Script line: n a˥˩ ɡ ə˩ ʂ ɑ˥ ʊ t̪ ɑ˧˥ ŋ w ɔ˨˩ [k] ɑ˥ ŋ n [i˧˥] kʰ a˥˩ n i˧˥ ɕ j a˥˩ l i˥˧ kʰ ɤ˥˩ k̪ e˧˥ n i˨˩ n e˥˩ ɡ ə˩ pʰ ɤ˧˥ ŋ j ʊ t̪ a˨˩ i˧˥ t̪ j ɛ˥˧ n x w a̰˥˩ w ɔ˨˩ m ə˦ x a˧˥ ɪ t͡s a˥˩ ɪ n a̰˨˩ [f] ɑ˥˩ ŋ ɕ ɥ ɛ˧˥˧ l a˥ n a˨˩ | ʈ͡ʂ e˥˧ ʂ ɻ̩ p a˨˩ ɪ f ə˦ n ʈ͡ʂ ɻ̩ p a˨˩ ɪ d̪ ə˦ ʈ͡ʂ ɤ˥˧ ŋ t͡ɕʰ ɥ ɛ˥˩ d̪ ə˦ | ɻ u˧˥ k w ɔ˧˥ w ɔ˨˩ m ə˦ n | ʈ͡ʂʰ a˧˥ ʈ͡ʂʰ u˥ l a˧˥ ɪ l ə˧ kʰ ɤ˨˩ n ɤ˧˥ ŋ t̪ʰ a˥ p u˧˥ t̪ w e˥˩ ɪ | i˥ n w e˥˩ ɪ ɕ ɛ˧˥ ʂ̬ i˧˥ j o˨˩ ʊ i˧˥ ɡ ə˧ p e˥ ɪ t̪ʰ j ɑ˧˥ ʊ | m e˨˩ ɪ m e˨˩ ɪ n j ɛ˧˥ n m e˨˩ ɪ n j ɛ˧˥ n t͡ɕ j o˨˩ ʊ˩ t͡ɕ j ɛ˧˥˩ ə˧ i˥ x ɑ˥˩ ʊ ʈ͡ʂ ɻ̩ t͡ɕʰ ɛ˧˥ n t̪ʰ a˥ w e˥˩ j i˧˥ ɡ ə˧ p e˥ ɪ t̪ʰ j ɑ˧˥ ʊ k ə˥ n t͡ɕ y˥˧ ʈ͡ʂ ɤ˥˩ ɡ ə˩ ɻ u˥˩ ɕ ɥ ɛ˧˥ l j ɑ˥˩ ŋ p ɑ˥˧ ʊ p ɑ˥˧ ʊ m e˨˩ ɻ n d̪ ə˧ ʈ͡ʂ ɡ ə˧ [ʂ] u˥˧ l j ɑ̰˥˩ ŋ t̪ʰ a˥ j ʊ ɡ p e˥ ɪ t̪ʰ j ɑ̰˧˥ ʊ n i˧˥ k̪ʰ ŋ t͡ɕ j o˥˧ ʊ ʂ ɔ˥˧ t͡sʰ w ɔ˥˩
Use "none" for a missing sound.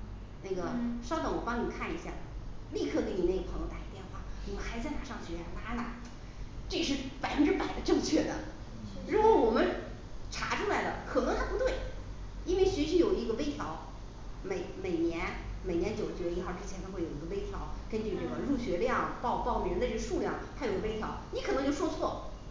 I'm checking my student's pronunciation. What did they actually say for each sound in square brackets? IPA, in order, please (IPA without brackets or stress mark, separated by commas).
p, i˨˩, ʂ, ʂ